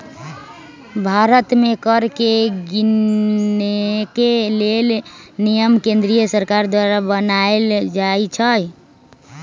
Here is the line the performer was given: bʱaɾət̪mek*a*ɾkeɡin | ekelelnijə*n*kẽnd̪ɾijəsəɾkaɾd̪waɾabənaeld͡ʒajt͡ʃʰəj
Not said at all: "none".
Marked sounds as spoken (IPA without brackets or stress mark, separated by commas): ə, m